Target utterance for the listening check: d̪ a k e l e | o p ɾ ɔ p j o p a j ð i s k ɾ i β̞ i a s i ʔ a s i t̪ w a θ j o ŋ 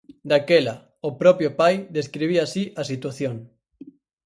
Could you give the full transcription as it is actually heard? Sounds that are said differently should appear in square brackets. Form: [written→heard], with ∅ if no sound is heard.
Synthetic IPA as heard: d̪ a k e l [e→a] | o p ɾ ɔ p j o p a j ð [i→e] s k ɾ i β̞ i a s i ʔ a s i t̪ w a θ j o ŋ